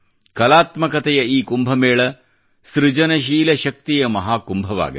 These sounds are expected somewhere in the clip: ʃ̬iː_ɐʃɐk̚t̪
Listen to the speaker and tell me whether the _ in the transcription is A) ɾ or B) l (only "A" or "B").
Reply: B